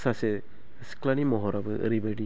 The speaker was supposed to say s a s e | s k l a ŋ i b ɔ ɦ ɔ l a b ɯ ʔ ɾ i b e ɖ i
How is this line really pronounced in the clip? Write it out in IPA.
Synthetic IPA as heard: s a s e | s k l a n i m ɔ ɦ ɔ ɾ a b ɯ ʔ ɾ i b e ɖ i